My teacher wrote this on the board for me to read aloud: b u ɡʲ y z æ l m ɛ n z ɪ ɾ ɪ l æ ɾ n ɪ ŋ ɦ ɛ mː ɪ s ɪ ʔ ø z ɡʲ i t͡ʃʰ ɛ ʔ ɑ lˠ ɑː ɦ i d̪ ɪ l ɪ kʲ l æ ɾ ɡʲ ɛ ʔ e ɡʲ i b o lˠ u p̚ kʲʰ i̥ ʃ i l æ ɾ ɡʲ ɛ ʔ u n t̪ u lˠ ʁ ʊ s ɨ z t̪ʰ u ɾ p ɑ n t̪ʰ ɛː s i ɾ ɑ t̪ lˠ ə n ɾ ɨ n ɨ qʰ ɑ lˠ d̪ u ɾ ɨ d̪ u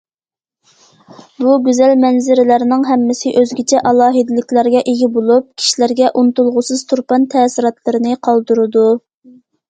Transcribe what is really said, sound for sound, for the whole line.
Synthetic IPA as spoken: b u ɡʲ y z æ l m ɛ n z ɪ ɾ ɪ l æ ɾ n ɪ ŋ ɦ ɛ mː ɪ s ɪ ʔ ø z ɡʲ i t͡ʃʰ ɛ ʔ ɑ lˠ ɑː ɦ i d̪ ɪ l ɪ kʲ l æ ɾ ɡʲ ɛ ʔ e ɡʲ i b o lˠ u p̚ kʲʰ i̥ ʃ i l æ ɾ ɡʲ ɛ ʔ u n t̪ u lˠ ʁ ʊ s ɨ z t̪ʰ u ɾ p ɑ n t̪ʰ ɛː s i ɾ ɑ t̪ lˠ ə ɾ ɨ n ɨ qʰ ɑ lˠ d̪ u ɾ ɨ d̪ u

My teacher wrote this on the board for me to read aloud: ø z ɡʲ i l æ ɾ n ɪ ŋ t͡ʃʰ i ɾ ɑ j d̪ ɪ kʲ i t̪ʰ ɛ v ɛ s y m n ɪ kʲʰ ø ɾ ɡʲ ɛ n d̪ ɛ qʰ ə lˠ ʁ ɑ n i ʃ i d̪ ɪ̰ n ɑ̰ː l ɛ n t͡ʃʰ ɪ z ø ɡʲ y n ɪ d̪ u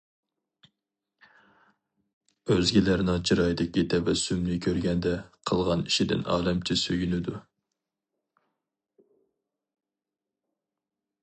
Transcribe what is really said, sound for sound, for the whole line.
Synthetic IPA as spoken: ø z ɡʲ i l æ ɾ n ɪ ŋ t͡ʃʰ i ɾ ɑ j d̪ ɪ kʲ i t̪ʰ ɛ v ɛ s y m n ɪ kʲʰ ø ɾ ɡʲ ɛ n d̪ ɛ qʰ ə lˠ ʁ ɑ n i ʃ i d̪ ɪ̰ n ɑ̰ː l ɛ m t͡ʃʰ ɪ s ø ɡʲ y n ɪ d̪ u

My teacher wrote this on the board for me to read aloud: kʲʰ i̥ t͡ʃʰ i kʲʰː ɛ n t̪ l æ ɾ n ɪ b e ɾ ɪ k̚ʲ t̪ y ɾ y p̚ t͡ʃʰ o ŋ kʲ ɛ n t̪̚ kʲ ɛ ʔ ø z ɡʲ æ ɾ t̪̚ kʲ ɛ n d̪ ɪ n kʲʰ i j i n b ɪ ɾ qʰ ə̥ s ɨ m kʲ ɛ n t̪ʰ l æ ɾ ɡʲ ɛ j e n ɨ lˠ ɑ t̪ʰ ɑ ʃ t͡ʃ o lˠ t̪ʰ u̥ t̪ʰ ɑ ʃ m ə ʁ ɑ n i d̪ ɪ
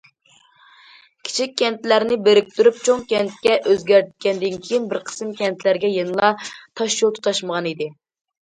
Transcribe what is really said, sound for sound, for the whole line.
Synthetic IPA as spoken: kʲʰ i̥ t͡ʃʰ i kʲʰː ɛ n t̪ l æ ɾ n ɪ b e ɾ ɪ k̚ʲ t̪ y ɾ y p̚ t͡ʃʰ o ŋ kʲ ɛ n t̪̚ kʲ ɛ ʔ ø z ɡʲ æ ɾ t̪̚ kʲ ɛ n d̪ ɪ n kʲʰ i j i n b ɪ ɾ qʰ ə̥ s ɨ m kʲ ɛ n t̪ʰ l æ ɾ ɡʲ ɛ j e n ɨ lˠ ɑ t̪ʰ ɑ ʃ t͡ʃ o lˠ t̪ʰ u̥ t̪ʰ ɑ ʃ m ə ʁ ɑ n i d̪ ɪ

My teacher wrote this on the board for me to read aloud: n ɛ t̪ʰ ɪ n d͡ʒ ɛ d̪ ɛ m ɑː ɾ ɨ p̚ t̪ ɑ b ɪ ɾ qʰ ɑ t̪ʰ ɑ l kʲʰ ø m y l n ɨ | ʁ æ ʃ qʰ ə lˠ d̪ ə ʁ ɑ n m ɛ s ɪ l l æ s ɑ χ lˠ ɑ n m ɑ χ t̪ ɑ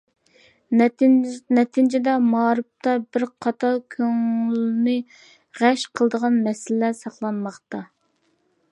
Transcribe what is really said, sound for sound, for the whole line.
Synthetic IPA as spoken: n ɛ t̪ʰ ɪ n d͡ʒ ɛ d̪ ɛ m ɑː ɾ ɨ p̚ t̪ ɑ b ɪ ɾ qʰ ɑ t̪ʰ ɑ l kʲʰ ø ŋ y l n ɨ | ʁ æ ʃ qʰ ə lˠ d̪ ə ʁ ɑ n m ɛ s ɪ l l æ s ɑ χ lˠ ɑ n m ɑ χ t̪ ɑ

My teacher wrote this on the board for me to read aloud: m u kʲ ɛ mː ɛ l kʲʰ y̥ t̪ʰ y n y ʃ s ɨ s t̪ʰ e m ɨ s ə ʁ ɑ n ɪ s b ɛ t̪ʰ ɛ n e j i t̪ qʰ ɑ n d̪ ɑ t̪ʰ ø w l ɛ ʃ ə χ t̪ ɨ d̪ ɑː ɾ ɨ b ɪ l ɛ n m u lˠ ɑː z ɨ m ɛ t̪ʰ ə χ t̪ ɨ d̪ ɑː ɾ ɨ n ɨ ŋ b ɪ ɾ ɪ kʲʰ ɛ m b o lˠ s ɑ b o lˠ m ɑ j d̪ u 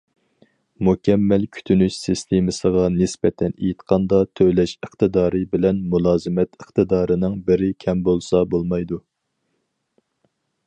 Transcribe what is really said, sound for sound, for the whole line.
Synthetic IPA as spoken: m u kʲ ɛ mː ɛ l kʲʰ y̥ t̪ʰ y n y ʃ s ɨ s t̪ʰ e m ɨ s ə ʁ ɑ n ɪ s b ɛ t̪ʰ ɛ n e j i t̪ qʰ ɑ n d̪ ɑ t̪ʰ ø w l ɛ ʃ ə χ t̪ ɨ d̪ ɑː ɾ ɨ b ɪ l ɛ n m u lˠ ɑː z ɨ m ɛ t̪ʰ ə χ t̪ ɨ d̪ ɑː ɾ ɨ n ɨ ŋ b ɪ ɾ ɪ kʲʰ ɛ m b o lˠ s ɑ b o lˠ m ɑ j d̪ u

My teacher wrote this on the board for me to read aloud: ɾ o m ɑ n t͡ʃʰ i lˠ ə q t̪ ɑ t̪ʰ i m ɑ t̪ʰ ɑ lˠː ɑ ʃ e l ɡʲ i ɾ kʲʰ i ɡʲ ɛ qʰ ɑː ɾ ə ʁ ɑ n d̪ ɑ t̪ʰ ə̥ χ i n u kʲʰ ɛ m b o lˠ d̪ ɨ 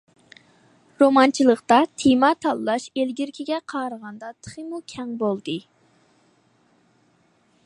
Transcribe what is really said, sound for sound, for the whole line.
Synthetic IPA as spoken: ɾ o m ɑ n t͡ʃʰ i lˠ ə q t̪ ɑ t̪ʰ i m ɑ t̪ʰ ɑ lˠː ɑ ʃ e l ɡʲ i ɾ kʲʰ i ɡʲ ɛ qʰ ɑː ɾ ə ʁ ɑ n d̪ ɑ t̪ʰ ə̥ χ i m u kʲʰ ɛ ŋ b o lˠ d̪ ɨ

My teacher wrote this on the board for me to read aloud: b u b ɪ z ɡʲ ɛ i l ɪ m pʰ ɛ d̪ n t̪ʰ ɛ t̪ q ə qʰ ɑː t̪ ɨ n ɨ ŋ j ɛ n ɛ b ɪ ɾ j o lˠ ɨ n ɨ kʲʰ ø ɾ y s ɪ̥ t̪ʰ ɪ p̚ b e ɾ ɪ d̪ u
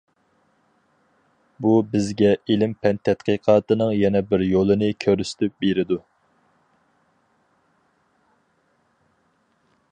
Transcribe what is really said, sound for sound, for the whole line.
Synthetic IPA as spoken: b u b ɪ z ɡʲ ɛ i l ɪ m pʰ ɛ n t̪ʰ ɛ t̪ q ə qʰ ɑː t̪ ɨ n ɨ ŋ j ɛ n ɛ b ɪ ɾ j o lˠ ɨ n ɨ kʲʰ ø ɾ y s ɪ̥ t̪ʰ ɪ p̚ b e ɾ ɪ d̪ u

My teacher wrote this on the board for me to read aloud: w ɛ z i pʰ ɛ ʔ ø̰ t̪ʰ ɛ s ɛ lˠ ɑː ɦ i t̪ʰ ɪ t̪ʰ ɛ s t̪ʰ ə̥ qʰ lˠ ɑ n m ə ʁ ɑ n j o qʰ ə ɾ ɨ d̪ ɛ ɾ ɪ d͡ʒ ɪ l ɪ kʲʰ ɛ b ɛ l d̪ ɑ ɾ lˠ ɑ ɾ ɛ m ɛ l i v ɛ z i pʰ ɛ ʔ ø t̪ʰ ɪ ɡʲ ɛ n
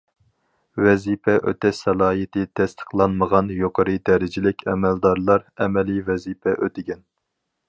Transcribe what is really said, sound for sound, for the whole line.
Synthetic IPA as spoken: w ɛ z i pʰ ɛ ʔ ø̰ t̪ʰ ɛ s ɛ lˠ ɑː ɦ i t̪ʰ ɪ t̪ʰ ɛ s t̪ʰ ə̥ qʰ lˠ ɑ n m ə ʁ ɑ n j o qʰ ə ɾ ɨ d̪ ɛ ɾ ɪ d͡ʒ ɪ l ɪ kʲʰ ɛ m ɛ l d̪ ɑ ɾ lˠ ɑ ɾ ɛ m ɛ l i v ɛ z i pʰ ɛ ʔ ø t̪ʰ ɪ ɡʲ ɛ n

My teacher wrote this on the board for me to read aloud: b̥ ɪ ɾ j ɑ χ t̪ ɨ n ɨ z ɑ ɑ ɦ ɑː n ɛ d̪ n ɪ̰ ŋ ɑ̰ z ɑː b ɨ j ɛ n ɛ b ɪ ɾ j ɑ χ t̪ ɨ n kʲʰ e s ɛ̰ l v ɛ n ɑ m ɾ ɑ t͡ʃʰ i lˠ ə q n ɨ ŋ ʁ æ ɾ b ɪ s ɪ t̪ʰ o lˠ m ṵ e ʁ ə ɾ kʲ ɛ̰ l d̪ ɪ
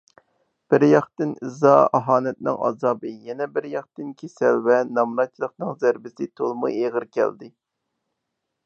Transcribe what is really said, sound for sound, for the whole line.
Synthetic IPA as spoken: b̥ ɪ ɾ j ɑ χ t̪ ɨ n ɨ z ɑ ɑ ɦ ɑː n ɛ t̪ n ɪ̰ ŋ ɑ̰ z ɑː b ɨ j ɛ n ɛ b ɪ ɾ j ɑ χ t̪ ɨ n kʲʰ e s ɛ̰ l v ɛ n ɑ m ɾ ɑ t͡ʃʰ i lˠ ə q n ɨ ŋ z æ ɾ b ɪ s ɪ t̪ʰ o lˠ m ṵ e ʁ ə ɾ kʲ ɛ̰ l d̪ ɪ

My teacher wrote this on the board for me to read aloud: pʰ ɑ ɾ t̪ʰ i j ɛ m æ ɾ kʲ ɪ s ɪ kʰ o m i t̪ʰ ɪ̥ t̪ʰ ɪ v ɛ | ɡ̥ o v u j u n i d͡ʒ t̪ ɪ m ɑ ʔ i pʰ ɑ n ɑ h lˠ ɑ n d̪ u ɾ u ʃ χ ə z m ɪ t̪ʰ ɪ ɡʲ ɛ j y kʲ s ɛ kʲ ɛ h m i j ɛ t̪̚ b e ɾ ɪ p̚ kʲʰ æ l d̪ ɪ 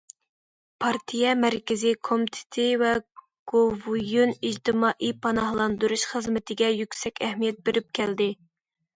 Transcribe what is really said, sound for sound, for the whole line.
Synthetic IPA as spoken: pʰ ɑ ɾ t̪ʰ i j ɛ m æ ɾ kʲ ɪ z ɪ kʰ o m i t̪ʰ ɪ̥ t̪ʰ ɪ v ɛ | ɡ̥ o v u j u n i d͡ʒ t̪ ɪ m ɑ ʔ i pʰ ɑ n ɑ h lˠ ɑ n d̪ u ɾ u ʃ χ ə z m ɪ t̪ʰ ɪ ɡʲ ɛ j y kʲ s ɛ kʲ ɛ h m i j ɛ t̪̚ b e ɾ ɪ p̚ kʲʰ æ l d̪ ɪ

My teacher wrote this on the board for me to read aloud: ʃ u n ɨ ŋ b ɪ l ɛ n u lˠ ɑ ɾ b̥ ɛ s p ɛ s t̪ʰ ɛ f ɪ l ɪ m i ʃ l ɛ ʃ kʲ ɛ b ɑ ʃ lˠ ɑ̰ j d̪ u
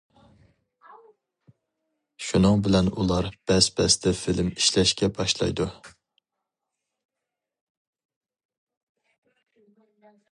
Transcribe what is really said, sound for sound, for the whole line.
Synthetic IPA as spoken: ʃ u n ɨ ŋ b ɪ l ɛ n u lˠ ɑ ɾ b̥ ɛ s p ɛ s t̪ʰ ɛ f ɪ l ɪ m i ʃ l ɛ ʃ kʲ ɛ b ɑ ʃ lˠ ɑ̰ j d̪ u

